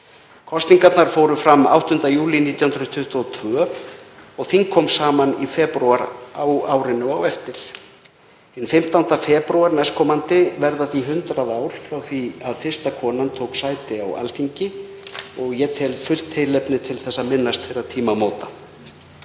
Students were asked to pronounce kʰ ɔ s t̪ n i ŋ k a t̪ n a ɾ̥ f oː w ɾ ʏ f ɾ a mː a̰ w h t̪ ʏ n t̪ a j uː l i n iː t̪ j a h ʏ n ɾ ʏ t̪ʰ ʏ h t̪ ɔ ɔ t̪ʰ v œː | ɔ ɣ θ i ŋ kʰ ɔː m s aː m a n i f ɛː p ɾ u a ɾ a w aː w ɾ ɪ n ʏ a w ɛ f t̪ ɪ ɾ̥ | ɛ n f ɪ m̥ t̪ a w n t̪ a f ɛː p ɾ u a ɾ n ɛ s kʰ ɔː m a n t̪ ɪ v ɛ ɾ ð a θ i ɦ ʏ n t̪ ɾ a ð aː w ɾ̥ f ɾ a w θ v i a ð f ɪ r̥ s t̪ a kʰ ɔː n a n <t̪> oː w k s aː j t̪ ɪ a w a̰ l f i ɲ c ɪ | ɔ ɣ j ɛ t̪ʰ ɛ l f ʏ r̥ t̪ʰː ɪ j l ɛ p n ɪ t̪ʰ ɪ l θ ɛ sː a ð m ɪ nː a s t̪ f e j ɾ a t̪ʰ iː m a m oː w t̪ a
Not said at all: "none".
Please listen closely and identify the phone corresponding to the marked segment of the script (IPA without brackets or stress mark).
t̪ʰ